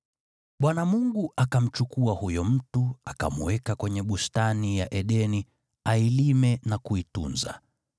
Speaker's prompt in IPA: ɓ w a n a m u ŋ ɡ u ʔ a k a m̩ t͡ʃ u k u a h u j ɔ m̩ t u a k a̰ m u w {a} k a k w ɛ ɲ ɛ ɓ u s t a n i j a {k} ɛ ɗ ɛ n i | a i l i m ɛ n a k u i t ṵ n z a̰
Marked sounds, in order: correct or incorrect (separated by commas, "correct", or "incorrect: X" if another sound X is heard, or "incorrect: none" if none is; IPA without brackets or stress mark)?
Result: incorrect: ɛ, incorrect: ʔ